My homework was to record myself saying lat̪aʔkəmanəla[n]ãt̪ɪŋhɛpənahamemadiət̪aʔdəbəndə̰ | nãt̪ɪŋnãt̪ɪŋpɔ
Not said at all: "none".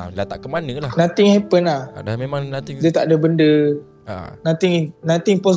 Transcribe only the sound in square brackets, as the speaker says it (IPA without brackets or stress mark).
n